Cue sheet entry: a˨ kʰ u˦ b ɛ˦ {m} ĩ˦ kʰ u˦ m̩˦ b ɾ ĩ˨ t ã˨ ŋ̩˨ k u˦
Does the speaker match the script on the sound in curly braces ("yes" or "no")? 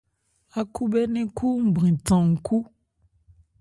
no